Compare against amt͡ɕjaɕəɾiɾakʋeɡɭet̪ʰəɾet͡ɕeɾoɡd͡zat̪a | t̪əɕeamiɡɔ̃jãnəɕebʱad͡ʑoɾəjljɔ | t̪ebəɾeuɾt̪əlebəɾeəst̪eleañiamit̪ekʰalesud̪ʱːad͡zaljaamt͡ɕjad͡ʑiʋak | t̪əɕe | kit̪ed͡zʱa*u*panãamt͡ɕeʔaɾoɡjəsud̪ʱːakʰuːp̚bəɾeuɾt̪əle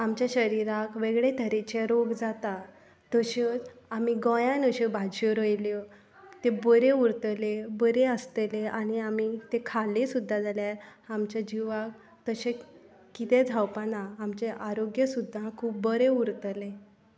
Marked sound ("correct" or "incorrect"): incorrect